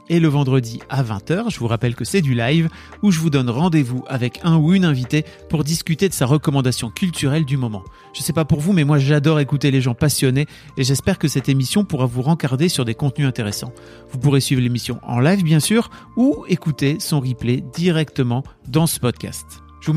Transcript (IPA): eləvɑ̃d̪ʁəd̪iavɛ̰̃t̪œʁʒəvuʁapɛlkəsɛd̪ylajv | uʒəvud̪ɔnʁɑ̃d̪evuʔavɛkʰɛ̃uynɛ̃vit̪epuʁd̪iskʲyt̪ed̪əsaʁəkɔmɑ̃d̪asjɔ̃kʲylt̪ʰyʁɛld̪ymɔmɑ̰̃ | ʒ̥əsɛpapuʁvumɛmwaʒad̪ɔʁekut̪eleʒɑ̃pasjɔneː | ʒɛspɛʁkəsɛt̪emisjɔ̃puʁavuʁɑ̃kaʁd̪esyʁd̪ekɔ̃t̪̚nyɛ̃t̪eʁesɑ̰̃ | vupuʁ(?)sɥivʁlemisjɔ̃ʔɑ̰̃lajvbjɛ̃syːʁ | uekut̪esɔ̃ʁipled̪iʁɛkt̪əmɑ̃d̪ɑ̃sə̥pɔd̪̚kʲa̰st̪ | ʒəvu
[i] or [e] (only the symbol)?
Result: e